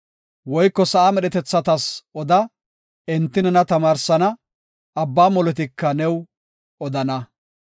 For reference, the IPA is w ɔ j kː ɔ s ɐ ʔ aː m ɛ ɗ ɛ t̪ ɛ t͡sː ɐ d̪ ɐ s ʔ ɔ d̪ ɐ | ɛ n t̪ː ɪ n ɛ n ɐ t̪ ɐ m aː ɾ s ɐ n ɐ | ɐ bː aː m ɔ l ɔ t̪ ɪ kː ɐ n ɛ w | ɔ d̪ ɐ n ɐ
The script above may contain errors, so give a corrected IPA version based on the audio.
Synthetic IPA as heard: w ɔ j kː ɔ s ɐ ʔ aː m ɛ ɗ ɛ t̪ ɛ t͡sː ɐ t̪ ɐ s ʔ ɔ d̪ ɐ | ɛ n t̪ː ɪ n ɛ n ɐ t̪ ɐ m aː ɾ s ɐ n ɐ | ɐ bː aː m ɔ l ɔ t̪ ɪ kː ɐ n ɛ w | ɔ d̪ ɐ n ɐ